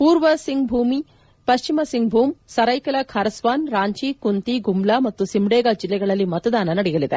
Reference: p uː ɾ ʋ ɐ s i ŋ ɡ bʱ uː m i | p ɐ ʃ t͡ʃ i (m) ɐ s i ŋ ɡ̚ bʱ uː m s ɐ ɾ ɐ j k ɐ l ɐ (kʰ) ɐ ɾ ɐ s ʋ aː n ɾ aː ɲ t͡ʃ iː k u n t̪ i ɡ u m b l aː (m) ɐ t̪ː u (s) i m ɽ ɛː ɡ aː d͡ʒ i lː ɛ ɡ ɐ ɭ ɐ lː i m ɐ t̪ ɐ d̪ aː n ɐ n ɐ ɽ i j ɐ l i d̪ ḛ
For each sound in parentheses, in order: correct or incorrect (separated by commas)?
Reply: correct, correct, correct, correct